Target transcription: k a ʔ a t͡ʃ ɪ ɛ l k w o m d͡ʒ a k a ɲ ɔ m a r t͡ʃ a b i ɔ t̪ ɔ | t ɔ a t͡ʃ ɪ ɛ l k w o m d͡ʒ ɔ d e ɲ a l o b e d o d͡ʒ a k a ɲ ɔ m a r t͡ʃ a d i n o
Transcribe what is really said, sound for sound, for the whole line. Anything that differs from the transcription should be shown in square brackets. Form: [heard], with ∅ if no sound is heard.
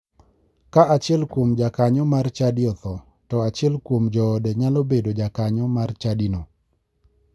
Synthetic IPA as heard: k a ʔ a t͡ʃ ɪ ɛ l k w o m d͡ʒ a k a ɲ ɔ m a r t͡ʃ a [d] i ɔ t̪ ɔ | t ɔ a t͡ʃ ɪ ɛ l k w o m d͡ʒ ɔ d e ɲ a l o b e d o d͡ʒ a k a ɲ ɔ m a r t͡ʃ a d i n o